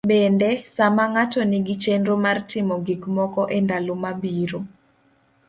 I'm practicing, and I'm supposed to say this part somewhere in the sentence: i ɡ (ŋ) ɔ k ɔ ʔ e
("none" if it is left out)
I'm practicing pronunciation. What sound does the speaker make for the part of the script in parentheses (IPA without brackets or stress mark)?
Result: m